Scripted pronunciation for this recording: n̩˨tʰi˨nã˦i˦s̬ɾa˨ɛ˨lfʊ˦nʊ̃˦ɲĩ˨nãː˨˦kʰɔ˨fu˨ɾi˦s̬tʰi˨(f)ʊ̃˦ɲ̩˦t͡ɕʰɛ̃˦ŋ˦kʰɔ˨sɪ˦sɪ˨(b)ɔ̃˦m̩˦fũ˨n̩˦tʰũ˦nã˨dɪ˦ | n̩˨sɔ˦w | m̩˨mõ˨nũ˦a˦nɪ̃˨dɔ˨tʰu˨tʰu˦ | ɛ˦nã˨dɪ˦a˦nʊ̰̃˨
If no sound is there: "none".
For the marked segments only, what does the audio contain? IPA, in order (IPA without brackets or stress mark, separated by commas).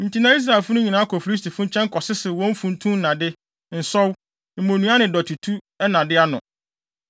f, w